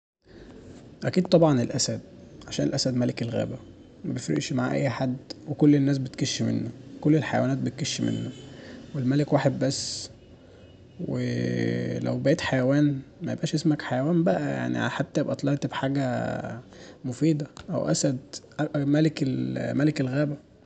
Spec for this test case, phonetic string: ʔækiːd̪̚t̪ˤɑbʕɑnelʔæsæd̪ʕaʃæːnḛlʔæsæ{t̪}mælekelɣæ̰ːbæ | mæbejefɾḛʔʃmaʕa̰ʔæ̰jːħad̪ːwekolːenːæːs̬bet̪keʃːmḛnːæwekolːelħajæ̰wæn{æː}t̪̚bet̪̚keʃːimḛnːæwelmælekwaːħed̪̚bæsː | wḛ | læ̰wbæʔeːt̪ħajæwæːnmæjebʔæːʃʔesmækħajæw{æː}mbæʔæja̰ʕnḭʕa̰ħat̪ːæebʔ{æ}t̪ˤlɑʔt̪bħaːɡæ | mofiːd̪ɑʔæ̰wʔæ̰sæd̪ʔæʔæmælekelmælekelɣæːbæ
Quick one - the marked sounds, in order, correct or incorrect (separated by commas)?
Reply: incorrect, correct, correct, correct